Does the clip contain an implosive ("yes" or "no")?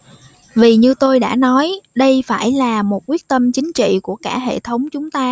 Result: yes